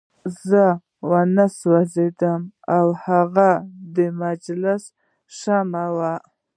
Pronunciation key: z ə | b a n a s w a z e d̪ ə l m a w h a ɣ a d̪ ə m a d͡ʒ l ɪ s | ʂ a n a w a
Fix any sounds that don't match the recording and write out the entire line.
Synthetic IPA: z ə | w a n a s w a z e d̪ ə m a w h a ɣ a d̪ ə m a d͡ʒ l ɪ s | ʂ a m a w a